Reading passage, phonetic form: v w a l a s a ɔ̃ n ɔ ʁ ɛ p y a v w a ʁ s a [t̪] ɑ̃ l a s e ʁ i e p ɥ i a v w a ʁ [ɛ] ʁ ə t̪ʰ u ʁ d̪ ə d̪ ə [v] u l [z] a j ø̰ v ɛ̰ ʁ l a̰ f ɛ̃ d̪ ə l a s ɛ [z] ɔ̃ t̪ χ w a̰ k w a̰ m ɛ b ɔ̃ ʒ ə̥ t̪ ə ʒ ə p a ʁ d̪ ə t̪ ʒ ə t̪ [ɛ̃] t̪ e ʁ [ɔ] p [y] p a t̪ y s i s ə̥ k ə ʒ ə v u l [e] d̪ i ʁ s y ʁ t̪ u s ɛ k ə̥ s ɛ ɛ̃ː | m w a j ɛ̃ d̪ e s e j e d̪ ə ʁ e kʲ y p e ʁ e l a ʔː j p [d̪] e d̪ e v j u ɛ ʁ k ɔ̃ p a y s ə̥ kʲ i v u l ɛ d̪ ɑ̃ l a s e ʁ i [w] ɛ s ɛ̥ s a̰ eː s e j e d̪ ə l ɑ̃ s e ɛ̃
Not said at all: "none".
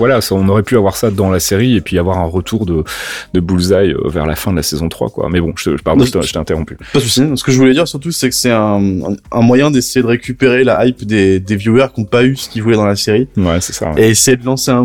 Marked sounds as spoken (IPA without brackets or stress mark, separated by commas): d̪, ɛ̃, b, z, z, ɛ̃, ɔ̃, y, ɛ, d̪, w